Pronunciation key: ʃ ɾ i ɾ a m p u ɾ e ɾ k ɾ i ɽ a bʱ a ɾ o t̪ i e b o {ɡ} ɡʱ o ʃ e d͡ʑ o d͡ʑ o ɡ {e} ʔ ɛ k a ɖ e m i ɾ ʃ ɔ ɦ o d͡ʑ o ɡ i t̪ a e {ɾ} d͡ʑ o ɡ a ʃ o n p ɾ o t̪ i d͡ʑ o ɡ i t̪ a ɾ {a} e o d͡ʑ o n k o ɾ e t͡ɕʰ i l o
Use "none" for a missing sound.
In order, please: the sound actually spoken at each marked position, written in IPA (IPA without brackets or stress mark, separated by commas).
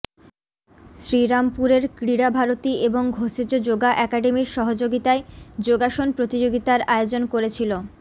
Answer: ŋ, a, none, a